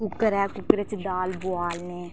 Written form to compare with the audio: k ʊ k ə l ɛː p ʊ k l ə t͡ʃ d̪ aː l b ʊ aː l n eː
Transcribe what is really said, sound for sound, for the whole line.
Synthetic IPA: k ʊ k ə ɾ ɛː k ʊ k ɾ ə t͡ʃ d̪ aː l b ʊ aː l n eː

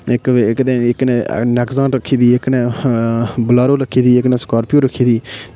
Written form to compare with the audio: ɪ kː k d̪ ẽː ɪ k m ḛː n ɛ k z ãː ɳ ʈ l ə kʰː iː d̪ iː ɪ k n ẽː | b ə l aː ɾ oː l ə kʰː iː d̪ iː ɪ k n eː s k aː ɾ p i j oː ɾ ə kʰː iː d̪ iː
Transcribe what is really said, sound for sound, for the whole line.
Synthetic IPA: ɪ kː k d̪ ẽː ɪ k n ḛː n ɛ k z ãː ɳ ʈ ɾ ə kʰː iː d̪ iː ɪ k n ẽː | b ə l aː ɾ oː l ə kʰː iː d̪ iː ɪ k n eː s k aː ɾ p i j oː ɾ ə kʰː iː d̪ iː

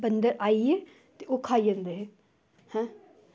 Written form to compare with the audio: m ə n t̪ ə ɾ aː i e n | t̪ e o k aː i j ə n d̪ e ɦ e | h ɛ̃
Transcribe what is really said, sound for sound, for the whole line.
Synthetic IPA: b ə n d̪ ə ɾ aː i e | t̪ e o kʰ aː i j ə n d̪ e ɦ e | h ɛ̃

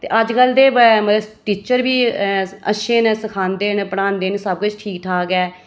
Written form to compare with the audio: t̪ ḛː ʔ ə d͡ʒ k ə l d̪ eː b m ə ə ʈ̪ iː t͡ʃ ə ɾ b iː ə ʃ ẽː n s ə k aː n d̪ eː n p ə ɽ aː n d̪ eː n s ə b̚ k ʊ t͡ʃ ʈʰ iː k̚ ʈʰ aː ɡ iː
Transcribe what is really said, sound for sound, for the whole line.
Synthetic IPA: t̪ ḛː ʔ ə d͡ʒ k ə l d̪ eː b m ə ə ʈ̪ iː t͡ʃ ə ɾ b iː ə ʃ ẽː n s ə kʰ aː n d̪ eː n p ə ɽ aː n d̪ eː n s ə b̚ k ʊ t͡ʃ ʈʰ iː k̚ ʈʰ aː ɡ ɛː

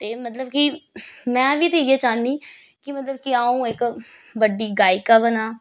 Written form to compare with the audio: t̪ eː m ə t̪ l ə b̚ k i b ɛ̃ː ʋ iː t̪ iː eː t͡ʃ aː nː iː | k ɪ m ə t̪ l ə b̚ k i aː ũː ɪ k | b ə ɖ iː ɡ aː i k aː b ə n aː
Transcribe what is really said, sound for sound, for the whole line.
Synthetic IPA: t̪ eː m ə t̪ l ə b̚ k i m ɛ̃ː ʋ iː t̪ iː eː t͡ʃ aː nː iː | k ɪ m ə t̪ l ə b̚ k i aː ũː ɪ k | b ə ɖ iː ɡ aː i k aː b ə n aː

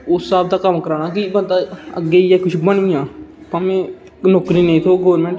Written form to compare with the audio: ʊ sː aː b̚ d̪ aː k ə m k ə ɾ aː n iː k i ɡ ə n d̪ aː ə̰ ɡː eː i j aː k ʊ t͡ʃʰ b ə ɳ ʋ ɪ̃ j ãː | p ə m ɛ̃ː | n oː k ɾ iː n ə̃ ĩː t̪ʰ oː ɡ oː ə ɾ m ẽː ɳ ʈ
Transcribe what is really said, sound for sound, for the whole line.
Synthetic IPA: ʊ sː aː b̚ d̪ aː k ə m k ə ɾ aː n aː k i b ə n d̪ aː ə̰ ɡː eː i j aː k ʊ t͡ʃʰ b ə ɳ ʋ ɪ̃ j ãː | p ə m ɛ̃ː | n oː k ɾ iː n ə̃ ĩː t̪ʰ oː ɡ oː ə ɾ m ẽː ɳ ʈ

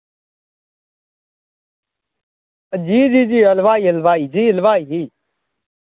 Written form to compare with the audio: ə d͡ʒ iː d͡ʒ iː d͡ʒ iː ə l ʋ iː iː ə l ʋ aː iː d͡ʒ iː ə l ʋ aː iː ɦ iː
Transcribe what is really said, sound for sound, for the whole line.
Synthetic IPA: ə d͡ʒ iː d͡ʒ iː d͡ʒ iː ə l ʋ aː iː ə l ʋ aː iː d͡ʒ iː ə l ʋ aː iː ɦ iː

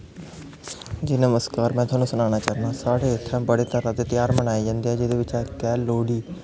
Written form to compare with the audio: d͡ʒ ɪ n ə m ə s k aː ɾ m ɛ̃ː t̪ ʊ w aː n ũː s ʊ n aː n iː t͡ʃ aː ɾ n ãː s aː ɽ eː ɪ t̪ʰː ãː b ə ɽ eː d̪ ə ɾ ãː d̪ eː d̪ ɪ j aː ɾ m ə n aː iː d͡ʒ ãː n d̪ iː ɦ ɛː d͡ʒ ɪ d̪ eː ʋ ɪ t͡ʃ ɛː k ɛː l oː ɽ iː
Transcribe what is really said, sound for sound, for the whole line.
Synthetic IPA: d͡ʒ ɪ n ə m ə s k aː ɾ m ɛ̃ː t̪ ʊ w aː n ũː s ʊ n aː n aː t͡ʃ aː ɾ n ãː s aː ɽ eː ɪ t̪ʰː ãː b ə ɽ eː t̪ ə ɾ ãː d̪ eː t̪ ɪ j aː ɾ m ə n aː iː d͡ʒ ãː n d̪ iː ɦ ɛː d͡ʒ ɪ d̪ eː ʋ ɪ t͡ʃ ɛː k ɛː l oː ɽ iː

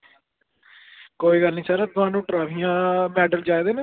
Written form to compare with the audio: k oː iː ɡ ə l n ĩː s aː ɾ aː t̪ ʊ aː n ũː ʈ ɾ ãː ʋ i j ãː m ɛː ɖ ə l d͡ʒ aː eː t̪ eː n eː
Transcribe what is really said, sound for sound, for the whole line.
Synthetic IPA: k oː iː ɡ ə l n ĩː s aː ɾ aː t̪ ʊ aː n ũː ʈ ɾ aː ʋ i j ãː m ɛː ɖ ə l d͡ʒ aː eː d̪ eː n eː

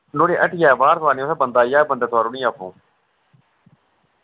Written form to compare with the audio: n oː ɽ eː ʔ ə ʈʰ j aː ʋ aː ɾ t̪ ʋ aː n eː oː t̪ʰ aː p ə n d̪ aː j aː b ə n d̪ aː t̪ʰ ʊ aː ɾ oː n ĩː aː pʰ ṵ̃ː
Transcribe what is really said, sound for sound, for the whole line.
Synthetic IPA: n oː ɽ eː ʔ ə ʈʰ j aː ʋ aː ɾ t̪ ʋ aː n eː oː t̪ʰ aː b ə n d̪ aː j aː b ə n d̪ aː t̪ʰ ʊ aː ɾ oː n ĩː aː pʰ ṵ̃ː

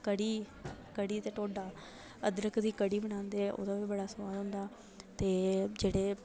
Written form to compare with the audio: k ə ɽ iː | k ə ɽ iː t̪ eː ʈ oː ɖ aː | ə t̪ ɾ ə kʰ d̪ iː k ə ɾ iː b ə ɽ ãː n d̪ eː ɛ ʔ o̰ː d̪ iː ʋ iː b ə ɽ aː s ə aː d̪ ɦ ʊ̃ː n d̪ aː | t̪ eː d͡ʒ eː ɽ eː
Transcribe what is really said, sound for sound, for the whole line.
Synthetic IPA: k ə ɽ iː | k ə ɽ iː t̪ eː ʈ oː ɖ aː | ə d̪ ɾ ə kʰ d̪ iː k ə ɽ iː b ə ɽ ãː n d̪ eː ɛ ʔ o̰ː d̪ aː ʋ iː b ə ɽ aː s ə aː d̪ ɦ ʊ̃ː n d̪ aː | t̪ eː d͡ʒ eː ɽ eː

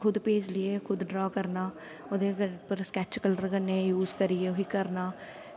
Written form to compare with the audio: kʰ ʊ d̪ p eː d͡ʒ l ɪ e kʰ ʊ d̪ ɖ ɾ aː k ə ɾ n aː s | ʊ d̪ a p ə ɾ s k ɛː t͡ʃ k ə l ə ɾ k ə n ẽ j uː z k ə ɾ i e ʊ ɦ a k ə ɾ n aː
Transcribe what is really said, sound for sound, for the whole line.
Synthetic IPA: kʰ ʊ d̪ p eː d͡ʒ l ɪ e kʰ ʊ d̪ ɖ ɾ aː k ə ɾ n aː | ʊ d̪ e p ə ɾ s k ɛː t͡ʃ k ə l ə ɾ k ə n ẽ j uː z k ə ɾ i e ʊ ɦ i k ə ɾ n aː

